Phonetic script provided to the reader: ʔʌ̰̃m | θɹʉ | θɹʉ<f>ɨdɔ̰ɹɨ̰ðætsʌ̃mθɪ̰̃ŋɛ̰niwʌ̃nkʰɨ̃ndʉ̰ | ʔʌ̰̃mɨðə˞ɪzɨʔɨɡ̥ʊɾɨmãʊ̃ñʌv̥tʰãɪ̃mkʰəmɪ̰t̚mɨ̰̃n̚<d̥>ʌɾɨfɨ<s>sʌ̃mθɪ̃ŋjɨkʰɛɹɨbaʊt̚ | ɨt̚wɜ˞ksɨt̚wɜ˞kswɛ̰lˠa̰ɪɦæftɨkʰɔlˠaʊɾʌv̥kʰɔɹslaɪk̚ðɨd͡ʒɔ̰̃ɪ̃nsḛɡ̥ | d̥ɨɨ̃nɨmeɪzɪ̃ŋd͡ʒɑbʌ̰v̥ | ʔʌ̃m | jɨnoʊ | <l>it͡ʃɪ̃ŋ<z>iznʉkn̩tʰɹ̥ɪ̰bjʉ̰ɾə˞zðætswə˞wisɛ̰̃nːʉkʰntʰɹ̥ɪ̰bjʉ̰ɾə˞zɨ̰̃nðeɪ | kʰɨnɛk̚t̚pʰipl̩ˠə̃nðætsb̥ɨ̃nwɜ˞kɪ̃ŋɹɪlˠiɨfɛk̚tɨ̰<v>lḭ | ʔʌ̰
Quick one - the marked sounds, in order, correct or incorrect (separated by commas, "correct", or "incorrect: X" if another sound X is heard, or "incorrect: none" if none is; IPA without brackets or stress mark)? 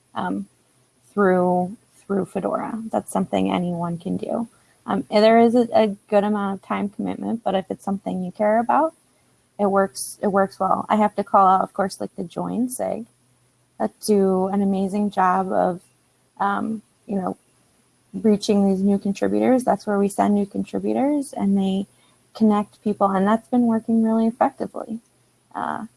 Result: correct, incorrect: b̥, incorrect: t, incorrect: ɹ, incorrect: ð, correct